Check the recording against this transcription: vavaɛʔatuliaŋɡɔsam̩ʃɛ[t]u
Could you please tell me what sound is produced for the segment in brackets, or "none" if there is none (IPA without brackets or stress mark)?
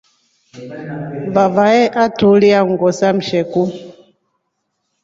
k